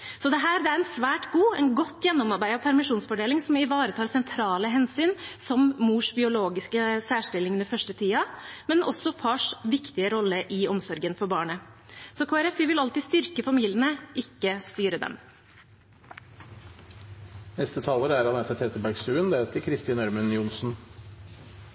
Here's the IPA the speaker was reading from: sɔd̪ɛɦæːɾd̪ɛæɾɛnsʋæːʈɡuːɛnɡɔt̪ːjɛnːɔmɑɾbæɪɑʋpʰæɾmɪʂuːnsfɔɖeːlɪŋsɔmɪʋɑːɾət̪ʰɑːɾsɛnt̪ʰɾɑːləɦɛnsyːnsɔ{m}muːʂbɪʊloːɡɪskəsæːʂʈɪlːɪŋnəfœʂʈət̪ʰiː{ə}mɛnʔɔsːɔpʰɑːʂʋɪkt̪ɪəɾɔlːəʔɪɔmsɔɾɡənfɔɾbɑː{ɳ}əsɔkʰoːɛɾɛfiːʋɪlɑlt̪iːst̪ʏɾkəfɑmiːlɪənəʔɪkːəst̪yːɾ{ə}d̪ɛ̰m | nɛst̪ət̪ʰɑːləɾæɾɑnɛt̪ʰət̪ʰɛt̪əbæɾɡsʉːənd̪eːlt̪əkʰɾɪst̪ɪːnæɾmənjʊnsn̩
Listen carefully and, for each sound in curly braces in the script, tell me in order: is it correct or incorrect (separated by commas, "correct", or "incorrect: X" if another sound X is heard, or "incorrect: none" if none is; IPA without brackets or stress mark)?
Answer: correct, incorrect: ɑ, correct, correct